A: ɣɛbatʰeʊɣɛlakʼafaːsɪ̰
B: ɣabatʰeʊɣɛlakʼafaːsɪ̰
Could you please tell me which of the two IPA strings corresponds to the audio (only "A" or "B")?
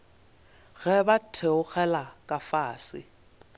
A